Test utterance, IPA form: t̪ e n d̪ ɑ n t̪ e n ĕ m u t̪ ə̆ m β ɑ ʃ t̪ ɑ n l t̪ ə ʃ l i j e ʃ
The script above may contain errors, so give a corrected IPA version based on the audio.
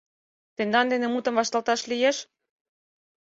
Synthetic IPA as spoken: t̪ e n d̪ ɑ n d̪ e n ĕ m u t̪ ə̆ m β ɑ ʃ t̪ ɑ l t̪ ɑ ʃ l i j e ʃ

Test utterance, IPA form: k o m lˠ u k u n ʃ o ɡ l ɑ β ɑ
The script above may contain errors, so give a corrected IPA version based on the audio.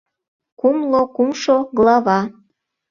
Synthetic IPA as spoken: k u m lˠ o k u m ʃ o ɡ l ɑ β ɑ

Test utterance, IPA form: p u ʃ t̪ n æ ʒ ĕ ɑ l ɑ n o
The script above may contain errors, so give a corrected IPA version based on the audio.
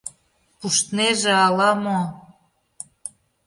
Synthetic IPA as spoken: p u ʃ t̪ n e ʒ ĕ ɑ l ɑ m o

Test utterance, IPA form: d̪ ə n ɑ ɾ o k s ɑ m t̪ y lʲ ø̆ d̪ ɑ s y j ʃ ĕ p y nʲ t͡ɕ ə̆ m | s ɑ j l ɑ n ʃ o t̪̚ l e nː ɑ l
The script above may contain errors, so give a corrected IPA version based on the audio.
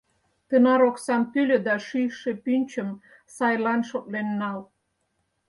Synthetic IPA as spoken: t̪ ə n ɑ ɾ o k s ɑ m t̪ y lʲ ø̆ d̪ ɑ ʃ y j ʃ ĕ p y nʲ t͡ɕ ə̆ m | s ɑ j l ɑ n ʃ o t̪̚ l e nː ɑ l

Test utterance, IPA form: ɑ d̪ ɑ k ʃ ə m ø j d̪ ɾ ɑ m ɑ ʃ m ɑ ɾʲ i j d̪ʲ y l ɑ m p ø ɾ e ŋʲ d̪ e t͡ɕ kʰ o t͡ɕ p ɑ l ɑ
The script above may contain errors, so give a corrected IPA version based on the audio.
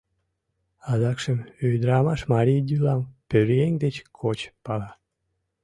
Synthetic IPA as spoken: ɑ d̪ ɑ k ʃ ə m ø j d̪ ɾ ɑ m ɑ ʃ m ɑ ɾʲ i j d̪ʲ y l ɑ m p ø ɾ e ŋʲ d̪ e t͡ɕ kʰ o t͡ɕ p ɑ l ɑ

